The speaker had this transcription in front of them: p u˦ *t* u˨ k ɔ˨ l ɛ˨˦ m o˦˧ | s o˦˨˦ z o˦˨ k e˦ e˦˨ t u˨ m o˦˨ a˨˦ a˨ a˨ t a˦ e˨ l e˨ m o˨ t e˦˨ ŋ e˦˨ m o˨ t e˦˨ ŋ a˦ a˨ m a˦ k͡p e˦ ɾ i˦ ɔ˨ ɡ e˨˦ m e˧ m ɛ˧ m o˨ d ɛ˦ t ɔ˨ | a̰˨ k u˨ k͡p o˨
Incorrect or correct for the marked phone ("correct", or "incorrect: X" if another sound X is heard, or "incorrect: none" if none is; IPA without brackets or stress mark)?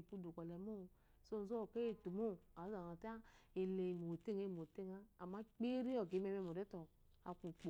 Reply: incorrect: d